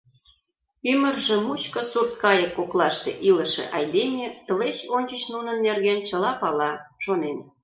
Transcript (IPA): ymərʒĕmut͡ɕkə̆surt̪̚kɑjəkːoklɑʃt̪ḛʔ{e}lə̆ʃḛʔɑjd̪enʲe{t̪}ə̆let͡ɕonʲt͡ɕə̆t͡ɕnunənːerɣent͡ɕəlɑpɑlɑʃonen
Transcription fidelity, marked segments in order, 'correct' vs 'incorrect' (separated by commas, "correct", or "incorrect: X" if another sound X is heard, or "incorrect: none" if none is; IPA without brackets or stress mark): incorrect: i, correct